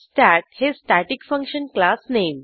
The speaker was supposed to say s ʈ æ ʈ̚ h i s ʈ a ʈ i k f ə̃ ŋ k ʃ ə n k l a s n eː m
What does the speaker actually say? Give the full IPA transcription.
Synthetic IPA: s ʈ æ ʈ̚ h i s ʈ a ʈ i k f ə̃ ŋ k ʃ ə n k l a s n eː m